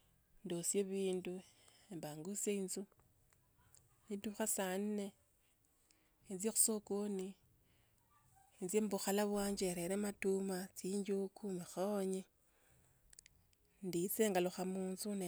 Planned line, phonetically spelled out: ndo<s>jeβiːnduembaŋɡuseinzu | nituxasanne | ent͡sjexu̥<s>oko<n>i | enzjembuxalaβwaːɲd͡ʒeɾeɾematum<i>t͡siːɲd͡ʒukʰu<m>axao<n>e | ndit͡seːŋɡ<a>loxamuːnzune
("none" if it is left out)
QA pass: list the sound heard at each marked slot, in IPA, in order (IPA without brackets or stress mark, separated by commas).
s, s, n, a, m, ɲ, a